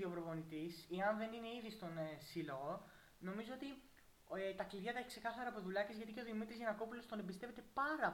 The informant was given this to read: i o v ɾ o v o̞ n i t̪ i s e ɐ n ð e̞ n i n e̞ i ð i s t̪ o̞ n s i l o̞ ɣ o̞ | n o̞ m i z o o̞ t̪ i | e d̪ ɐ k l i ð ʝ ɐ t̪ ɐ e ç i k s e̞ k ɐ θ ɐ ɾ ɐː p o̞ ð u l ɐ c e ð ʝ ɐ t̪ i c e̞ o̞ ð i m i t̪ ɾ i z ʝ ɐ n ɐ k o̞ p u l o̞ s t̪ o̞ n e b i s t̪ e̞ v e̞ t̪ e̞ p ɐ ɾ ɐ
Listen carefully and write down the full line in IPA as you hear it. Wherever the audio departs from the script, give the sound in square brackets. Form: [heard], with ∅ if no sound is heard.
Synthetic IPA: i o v ɾ o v o̞ n i t̪ i s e ɐ n ð e̞ n i n e̞ i ð i s t̪ o̞ n s i l o̞ ɣ o̞ | n o̞ m i z o o̞ t̪ i | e [t̪] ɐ k l i ð ʝ ɐ t̪ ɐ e ç i k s e̞ k ɐ θ ɐ ɾ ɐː p o̞ ð u l ɐ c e [z] ʝ ɐ t̪ i c e̞ o̞ ð i m i t̪ ɾ i z ʝ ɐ n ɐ k o̞ p u l o̞ s t̪ o̞ n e b i s t̪ e̞ v e̞ t̪ e̞ p ɐ ɾ ɐ